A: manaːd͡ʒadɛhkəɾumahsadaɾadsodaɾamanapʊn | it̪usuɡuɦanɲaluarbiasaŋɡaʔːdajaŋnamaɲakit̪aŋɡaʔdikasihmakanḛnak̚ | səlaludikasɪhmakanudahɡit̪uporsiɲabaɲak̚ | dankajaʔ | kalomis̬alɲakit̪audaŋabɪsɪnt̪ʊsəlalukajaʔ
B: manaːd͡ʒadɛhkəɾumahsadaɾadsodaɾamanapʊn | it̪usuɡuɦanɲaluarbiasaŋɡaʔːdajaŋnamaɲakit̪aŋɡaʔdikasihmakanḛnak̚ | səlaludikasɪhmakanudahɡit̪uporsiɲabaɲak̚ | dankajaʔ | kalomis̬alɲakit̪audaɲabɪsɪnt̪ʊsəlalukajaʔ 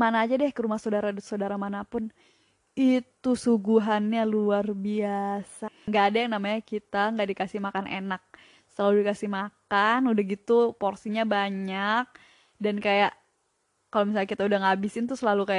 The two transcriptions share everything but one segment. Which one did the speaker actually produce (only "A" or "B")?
A